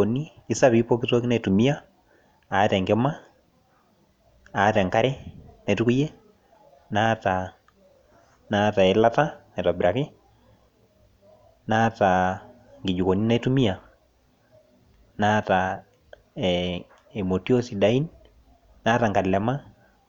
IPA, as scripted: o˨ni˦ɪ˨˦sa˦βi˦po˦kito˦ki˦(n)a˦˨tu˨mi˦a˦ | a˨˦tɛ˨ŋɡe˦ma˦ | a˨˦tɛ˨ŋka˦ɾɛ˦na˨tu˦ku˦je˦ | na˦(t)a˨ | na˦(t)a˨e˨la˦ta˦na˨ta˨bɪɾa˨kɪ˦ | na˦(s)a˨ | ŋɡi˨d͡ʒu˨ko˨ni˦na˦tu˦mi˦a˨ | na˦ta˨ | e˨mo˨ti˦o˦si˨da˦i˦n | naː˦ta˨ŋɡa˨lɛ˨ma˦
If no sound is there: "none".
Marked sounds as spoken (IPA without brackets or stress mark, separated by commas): n, t, t, t